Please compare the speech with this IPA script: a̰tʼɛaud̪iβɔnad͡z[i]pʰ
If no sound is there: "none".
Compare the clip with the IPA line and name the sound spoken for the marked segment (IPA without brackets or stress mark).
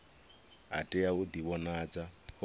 a